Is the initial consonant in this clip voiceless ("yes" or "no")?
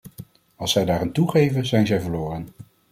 no